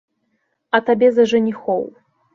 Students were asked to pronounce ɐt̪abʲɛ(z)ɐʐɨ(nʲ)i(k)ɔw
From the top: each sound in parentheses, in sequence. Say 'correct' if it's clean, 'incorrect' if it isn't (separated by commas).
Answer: correct, correct, incorrect